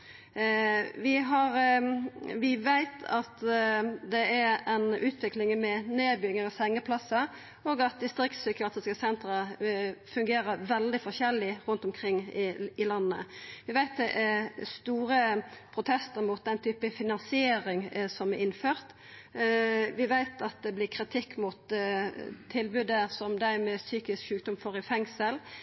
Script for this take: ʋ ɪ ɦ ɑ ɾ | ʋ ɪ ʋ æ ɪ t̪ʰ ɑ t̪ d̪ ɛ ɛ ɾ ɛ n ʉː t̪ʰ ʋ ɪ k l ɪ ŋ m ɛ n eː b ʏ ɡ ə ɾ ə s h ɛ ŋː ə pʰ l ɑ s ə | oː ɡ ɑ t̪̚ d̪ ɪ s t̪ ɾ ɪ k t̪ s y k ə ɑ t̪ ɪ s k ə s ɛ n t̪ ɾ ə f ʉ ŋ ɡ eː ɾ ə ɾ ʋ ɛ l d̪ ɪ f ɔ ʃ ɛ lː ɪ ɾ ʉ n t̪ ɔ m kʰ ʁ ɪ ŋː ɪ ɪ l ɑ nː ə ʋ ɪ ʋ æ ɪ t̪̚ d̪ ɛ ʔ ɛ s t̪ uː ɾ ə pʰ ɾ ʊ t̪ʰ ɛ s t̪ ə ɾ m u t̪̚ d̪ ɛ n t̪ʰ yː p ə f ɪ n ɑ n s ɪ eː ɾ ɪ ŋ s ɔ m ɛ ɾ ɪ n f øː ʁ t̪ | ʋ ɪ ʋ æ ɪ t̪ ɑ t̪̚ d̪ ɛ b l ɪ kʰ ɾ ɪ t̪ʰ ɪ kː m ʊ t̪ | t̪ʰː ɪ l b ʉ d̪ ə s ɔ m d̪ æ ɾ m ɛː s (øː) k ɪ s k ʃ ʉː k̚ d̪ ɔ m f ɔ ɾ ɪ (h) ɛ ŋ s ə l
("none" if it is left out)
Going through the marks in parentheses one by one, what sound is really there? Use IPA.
yː, f

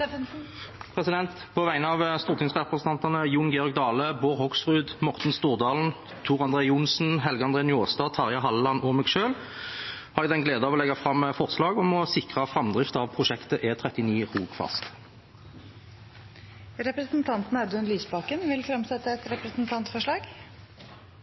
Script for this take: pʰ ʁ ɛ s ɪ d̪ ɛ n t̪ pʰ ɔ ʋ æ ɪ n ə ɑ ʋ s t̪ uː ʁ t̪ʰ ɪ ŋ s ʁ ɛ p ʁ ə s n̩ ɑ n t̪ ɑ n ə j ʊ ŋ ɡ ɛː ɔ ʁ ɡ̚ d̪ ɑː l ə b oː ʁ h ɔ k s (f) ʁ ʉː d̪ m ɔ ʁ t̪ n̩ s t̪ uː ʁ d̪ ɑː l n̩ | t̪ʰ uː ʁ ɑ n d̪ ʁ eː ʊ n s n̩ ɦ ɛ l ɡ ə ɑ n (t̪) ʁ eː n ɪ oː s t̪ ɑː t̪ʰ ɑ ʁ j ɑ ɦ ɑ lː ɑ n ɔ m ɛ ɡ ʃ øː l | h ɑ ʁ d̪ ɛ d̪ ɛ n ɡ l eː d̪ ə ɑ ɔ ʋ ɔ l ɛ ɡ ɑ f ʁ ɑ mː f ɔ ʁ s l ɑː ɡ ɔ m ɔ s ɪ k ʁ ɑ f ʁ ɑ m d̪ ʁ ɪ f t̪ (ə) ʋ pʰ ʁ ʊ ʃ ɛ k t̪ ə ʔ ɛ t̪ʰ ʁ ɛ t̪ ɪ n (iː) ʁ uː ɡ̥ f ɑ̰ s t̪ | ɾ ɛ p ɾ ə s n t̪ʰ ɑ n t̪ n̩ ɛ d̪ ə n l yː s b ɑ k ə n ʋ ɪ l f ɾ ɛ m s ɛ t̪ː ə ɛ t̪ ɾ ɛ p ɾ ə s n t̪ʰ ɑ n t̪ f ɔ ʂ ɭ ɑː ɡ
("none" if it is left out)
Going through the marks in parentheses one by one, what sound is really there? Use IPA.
f, d̪, ɑ, iː

